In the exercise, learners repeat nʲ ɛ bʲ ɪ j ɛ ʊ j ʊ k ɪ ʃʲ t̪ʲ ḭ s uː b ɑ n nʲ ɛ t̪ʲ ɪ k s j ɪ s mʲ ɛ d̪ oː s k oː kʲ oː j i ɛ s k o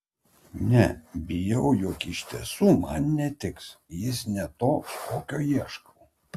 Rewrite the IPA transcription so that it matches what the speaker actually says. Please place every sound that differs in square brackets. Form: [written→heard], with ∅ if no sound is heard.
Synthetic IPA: nʲ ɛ bʲ ɪ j ɛ ʊ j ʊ k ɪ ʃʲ t̪ʲ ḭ s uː [b→m] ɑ n nʲ ɛ t̪ʲ ɪ k s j ɪ s [mʲ→nʲ] ɛ [d̪→t̪] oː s k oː kʲ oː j i ɛ [s→ʃ] k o